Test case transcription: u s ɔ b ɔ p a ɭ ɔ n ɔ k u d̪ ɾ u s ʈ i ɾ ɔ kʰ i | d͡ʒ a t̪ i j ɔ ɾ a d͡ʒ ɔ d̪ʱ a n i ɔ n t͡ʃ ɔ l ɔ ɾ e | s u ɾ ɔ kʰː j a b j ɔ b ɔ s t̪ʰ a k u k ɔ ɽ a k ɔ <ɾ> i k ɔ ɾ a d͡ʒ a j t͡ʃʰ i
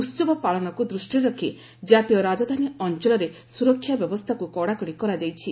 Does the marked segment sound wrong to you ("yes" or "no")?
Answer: yes